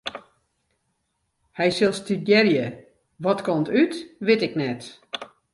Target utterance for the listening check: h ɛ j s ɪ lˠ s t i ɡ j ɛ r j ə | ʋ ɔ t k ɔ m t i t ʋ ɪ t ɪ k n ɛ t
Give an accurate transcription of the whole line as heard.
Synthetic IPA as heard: h ɛ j s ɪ lˠ s t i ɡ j ɛ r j ə | ʋ ɔ t k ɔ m t y t ʋ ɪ t ɪ k n ɛ t